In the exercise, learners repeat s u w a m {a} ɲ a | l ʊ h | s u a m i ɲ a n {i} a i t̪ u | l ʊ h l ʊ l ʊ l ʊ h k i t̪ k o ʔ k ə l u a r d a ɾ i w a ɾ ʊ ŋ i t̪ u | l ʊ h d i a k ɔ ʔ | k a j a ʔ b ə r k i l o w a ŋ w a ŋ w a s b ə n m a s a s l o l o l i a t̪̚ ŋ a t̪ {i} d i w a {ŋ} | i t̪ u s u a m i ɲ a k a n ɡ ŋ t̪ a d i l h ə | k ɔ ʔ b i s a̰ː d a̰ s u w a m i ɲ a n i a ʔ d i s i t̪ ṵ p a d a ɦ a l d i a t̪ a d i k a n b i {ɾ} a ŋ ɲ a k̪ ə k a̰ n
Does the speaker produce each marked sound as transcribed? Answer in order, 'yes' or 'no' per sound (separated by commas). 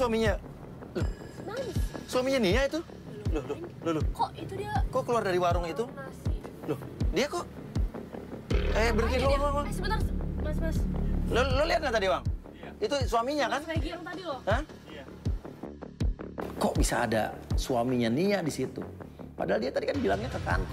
no, yes, no, yes, no